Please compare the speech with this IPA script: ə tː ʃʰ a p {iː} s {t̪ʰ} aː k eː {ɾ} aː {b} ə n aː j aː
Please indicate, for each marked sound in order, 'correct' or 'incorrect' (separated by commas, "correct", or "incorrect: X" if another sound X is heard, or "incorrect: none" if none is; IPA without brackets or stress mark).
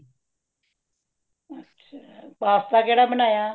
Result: incorrect: aː, incorrect: t̪, incorrect: ɽ, correct